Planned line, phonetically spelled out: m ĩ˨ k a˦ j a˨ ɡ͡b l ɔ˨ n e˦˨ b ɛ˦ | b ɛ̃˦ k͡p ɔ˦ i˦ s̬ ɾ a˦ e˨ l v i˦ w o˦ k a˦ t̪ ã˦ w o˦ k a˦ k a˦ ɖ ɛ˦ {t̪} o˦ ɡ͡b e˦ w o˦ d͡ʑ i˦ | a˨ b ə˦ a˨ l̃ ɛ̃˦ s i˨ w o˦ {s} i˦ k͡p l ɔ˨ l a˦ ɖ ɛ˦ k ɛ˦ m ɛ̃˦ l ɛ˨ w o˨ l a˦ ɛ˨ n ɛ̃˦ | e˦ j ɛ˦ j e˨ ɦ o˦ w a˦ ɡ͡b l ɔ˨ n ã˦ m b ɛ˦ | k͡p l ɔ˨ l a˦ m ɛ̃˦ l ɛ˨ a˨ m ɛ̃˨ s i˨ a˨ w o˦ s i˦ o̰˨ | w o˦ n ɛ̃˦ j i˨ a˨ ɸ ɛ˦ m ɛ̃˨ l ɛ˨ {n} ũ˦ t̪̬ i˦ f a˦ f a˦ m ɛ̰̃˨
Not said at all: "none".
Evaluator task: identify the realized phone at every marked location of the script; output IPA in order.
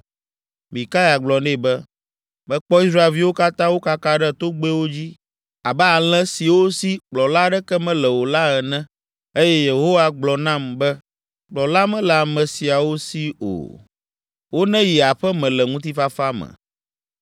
t̪, s, ŋ

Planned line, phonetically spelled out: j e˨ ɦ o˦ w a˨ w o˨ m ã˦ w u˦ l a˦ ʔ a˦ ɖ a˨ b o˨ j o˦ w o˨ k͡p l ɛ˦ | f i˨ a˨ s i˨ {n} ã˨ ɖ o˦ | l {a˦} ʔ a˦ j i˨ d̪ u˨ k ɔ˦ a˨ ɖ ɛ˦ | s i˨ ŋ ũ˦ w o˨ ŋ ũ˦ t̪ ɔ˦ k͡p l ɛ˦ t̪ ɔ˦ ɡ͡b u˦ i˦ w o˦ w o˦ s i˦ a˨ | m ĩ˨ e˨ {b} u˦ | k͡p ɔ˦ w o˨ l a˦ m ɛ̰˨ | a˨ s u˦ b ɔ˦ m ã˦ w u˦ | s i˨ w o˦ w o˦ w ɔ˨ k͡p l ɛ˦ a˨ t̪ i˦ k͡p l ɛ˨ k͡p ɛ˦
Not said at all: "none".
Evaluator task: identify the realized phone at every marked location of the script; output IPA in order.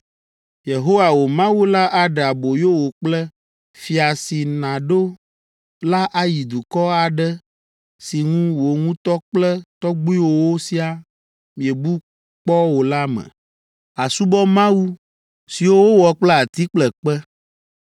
n, a˦, b

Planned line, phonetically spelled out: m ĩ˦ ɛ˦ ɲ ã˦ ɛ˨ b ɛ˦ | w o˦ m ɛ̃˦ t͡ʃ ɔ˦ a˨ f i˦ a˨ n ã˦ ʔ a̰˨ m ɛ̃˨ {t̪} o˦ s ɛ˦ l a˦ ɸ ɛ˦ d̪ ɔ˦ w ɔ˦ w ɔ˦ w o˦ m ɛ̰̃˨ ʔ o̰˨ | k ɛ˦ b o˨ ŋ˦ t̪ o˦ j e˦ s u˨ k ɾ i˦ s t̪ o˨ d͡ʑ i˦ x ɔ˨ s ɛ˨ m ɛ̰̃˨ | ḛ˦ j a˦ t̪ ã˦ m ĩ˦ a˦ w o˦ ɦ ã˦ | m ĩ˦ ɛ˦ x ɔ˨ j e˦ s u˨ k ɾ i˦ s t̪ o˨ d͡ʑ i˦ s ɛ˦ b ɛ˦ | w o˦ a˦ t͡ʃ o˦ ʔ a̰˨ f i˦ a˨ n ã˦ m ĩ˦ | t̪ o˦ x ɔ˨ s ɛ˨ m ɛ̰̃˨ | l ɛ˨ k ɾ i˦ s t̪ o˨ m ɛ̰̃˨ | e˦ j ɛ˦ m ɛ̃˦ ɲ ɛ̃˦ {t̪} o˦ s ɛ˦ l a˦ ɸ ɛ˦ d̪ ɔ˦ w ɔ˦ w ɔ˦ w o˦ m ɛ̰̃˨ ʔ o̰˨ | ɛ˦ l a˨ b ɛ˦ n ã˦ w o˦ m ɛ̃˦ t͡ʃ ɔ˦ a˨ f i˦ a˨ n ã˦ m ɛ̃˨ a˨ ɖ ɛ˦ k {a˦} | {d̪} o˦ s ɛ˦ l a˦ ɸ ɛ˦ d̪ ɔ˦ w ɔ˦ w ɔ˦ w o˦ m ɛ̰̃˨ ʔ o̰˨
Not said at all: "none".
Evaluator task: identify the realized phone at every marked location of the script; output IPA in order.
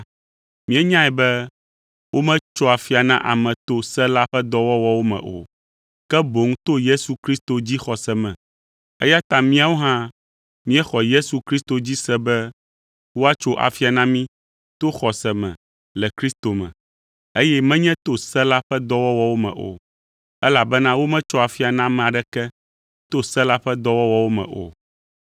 t̪, t̪, ɛ˦, t̪

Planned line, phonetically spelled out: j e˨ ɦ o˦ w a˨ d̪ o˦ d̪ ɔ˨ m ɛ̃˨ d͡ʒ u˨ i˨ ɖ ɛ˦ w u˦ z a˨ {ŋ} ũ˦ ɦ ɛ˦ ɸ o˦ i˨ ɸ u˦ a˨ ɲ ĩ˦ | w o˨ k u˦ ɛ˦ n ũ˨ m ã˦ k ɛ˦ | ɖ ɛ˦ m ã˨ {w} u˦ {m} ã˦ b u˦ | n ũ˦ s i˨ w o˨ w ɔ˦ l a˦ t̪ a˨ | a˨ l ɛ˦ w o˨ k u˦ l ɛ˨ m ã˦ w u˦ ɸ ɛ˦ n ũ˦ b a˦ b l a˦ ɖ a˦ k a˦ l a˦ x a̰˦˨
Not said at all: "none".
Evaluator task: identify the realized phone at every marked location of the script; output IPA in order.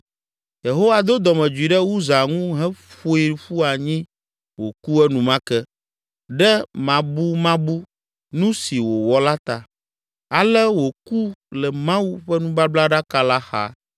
ŋ, b, m

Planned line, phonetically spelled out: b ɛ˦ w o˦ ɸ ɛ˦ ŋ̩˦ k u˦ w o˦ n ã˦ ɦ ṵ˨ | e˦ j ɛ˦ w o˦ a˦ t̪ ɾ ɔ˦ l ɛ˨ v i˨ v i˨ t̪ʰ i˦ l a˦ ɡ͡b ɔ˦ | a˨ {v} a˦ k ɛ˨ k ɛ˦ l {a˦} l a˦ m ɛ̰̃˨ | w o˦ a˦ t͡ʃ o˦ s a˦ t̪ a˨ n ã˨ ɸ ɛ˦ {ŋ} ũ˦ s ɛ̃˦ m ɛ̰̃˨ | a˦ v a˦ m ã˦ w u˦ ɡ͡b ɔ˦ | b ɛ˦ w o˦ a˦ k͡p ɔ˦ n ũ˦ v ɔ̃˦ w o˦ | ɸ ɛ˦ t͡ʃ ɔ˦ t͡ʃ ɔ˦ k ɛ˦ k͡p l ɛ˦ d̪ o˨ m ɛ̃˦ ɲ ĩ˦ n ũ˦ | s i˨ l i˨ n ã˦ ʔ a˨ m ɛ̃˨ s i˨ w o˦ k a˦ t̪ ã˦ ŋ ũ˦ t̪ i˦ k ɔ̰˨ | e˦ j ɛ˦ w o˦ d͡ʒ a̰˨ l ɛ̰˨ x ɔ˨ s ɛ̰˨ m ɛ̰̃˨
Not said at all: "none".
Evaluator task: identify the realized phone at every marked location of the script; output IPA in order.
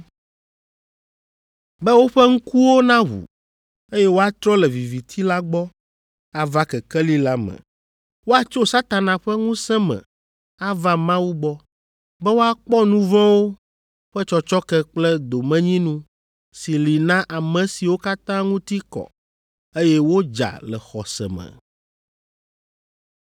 v, i˦, ŋ

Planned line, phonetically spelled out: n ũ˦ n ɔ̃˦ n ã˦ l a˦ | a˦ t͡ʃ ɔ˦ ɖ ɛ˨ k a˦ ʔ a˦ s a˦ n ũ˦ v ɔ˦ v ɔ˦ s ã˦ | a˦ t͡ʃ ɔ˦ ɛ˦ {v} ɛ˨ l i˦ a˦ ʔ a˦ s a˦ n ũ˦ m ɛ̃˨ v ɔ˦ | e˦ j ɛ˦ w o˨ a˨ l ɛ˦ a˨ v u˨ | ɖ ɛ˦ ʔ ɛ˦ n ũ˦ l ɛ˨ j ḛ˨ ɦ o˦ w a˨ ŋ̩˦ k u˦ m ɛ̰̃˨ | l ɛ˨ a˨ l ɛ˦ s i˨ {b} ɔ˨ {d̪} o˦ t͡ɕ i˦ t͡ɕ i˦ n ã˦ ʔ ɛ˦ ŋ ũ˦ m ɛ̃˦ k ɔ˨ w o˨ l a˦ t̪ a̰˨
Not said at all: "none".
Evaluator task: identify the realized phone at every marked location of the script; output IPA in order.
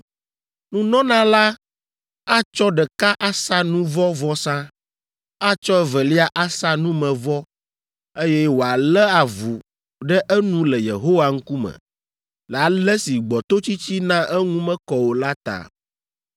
v, ɡ͡b, t̪

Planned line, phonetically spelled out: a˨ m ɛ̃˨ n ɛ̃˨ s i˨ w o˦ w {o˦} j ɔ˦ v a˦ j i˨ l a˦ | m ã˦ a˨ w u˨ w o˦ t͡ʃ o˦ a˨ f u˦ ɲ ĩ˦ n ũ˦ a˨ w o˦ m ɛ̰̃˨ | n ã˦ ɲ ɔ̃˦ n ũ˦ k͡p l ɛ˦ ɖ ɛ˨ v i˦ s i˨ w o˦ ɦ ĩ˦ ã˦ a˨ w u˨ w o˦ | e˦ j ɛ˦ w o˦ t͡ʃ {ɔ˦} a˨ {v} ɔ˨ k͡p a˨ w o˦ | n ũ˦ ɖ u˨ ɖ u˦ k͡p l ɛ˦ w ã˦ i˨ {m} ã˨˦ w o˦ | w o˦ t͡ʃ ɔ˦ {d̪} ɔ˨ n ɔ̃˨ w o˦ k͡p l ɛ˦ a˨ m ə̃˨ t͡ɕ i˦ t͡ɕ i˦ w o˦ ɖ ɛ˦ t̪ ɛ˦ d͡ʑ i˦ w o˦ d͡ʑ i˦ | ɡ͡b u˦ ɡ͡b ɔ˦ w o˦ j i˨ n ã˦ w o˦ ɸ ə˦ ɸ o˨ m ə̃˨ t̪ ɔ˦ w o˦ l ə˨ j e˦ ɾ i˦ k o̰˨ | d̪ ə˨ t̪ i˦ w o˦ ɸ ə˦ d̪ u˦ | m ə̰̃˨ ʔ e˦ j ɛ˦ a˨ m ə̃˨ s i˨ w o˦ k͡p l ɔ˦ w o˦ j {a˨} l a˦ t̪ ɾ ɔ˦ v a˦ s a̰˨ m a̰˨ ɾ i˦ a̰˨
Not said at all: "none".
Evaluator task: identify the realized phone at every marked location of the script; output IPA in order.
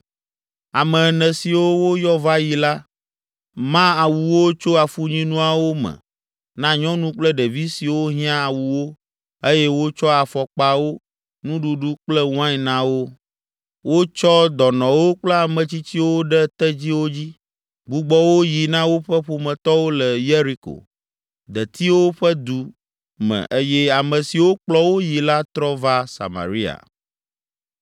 o˦, ɔ˦, f, n, d̪, i˨

